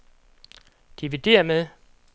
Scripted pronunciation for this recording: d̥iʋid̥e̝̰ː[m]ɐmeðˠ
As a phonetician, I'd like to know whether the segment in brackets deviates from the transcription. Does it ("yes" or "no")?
yes